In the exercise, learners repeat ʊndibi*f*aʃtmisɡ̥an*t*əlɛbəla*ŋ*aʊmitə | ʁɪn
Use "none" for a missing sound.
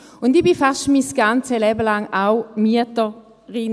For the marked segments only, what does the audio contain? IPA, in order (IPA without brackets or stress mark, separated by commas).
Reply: f, t͡s, ŋ